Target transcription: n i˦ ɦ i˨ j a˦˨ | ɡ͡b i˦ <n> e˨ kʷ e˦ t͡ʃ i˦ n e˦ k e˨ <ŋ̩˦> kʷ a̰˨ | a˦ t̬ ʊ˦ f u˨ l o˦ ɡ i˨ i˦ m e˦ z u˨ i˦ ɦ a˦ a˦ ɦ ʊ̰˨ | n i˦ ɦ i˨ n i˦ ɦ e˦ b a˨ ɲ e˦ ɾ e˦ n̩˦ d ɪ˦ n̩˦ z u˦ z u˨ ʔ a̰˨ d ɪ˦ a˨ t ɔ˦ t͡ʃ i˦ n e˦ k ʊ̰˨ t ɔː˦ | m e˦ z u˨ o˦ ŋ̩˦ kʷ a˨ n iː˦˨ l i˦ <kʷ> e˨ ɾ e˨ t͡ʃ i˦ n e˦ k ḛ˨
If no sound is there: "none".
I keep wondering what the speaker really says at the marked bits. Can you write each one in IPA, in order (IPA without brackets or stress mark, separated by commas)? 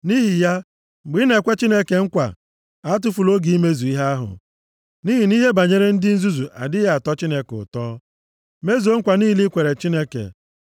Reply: n, ŋ̩˦, kʷ